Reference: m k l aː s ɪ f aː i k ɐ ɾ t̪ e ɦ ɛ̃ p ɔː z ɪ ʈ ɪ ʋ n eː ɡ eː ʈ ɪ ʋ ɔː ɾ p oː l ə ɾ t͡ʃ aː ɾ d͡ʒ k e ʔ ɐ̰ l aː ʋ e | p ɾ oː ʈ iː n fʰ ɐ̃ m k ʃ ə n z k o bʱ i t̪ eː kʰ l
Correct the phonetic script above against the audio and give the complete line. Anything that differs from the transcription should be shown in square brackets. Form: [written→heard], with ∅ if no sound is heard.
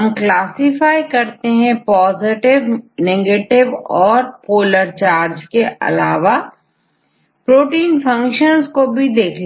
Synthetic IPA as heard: m k l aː s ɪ f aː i k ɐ ɾ t̪ e ɦ ɛ̃ p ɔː z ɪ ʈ ɪ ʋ n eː ɡ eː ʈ ɪ ʋ ɔː ɾ p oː l ə ɾ t͡ʃ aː ɾ d͡ʒ k e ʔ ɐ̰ l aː ʋ [e→a] | p ɾ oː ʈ iː n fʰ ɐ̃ [m→ŋ] k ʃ ə n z k o bʱ i [t̪→d̪] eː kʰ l